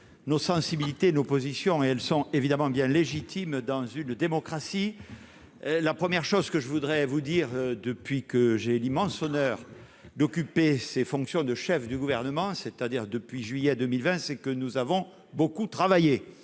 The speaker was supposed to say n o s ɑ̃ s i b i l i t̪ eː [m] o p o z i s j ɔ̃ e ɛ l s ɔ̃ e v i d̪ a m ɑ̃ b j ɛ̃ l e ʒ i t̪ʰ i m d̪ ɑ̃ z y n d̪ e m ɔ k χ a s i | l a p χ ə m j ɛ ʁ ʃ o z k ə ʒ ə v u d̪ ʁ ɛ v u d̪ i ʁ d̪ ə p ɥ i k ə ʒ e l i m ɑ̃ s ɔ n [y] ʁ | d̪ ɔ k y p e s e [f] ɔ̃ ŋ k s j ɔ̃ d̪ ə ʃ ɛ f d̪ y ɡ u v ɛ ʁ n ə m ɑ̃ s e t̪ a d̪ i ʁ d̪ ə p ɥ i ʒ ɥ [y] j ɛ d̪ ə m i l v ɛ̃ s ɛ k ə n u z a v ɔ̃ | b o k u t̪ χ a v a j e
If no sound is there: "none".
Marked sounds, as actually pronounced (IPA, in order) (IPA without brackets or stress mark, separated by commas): n, œ, f, i